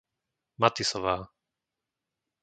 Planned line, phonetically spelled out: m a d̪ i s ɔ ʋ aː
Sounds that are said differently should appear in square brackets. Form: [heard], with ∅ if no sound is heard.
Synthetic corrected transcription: m a [t̪] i s ɔ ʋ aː